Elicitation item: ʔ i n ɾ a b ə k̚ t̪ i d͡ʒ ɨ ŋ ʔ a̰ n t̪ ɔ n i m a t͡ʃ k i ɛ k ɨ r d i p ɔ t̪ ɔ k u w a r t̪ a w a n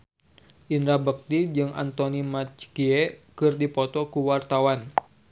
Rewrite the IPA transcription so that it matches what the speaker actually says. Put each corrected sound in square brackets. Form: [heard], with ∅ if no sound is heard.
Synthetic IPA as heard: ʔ i n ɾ a b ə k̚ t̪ i d͡ʒ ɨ ŋ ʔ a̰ n t̪ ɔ n i m a t͡ʃ k i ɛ k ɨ r d i p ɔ t̪ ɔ k u w a r t̪ a w a n